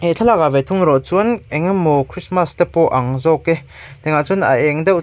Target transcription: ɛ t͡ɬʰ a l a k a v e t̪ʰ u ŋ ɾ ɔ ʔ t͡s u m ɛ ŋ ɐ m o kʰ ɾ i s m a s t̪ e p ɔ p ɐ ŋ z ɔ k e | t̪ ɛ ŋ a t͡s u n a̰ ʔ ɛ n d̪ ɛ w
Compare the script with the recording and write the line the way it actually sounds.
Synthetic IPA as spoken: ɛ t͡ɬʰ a l a k a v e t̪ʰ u ŋ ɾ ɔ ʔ t͡s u n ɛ ŋ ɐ m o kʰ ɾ i s m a s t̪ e p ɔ ʔ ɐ ŋ z ɔ k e | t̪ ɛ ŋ a t͡s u n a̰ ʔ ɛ ŋ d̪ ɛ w